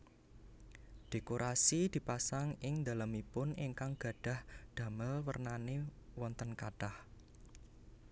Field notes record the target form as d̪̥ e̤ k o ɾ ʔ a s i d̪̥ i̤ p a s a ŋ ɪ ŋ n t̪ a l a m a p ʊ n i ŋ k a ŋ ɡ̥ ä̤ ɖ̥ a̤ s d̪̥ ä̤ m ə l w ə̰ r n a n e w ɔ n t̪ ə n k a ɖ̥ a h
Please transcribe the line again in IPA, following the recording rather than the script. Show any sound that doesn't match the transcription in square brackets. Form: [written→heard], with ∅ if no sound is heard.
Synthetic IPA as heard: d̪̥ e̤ k o ɾ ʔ a s i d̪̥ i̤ p a s a ŋ ɪ ŋ n [t̪→d̪] a l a m [a→i] p ʊ n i ŋ k a ŋ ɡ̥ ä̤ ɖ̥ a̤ [s→h] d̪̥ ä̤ m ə l w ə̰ r n a n e w ɔ n t̪ ə n k a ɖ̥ a h